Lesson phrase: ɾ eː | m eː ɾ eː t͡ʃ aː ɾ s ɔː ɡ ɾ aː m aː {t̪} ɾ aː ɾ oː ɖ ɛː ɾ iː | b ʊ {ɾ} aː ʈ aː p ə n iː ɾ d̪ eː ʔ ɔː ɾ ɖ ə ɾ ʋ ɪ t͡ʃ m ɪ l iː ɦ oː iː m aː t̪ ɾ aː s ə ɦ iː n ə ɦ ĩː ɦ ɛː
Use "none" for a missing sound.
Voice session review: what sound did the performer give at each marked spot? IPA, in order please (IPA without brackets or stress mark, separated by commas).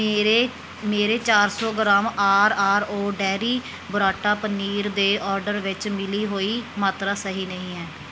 none, ɾ